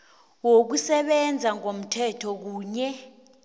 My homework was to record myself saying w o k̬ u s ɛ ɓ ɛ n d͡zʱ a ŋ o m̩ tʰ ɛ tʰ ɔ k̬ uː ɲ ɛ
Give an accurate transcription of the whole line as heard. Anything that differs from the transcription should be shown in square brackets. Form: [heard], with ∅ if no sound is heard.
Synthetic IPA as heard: w o k̬ u s ɛ ɓ ɛ n d͡zʱ a ŋ o m̩ tʰ ɛ tʰ ɔ k̬ uː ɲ ɛ